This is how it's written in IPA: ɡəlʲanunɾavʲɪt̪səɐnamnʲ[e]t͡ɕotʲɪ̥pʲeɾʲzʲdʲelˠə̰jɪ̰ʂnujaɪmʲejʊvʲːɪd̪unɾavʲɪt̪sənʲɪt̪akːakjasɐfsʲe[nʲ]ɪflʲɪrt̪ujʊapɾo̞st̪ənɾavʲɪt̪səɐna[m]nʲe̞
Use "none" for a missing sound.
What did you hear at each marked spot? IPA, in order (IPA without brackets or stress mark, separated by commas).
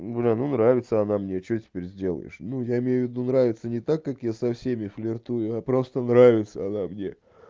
e, mʲ, m